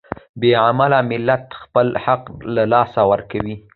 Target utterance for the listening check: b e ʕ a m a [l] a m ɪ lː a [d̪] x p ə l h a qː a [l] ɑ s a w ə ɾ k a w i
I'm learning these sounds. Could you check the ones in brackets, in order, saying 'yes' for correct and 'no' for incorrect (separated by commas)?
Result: yes, no, yes